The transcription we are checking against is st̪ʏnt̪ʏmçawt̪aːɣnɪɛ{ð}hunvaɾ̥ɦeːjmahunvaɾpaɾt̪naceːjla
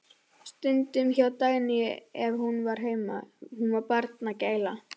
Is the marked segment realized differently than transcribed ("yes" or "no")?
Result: yes